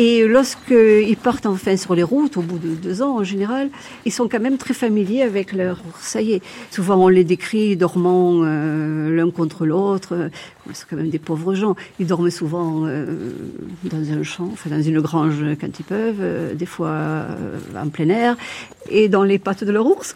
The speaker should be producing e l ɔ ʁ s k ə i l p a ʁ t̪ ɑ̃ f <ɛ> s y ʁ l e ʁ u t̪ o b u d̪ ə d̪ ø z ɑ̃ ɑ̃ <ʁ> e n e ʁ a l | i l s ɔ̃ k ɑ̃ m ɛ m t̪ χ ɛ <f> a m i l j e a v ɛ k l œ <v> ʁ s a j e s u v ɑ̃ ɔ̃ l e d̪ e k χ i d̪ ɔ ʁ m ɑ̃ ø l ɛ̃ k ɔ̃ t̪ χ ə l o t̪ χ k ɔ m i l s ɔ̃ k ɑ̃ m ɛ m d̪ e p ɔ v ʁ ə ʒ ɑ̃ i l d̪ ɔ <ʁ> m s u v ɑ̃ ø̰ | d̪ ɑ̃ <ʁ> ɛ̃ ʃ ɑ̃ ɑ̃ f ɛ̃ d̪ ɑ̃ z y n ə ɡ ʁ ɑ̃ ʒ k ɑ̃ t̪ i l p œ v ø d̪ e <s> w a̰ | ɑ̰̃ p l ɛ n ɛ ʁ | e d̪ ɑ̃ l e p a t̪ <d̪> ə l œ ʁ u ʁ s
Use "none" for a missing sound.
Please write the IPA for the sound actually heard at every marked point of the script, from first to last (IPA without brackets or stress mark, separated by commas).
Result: ɛ̃, ʒ, f, ʁ, ʁ, z, f, d̪